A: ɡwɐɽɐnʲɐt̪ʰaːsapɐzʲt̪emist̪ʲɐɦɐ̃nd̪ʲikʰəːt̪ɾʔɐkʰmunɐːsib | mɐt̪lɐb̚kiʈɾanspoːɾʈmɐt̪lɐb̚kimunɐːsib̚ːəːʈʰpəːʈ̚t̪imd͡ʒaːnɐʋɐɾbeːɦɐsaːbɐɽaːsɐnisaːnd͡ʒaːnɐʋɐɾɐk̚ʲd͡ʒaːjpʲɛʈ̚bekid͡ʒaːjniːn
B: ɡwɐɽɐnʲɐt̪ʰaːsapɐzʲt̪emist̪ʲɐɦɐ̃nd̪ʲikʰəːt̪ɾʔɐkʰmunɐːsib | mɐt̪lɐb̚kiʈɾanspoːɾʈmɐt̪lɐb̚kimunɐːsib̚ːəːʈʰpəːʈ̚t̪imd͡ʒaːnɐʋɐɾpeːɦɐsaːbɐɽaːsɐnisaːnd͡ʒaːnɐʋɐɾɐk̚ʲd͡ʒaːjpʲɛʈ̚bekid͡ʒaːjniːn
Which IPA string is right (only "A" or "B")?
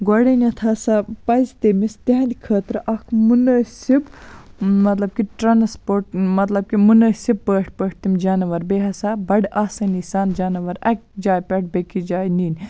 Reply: A